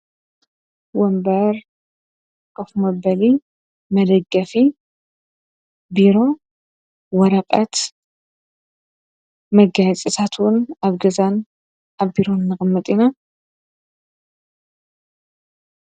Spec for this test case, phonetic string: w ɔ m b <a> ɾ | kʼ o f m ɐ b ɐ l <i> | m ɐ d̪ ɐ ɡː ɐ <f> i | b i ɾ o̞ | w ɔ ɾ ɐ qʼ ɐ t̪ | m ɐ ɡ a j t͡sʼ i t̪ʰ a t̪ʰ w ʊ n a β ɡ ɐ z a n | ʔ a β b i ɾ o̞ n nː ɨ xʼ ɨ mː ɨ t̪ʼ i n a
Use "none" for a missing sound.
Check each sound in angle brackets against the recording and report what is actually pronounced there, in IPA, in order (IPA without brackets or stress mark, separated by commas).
ɐ, i, f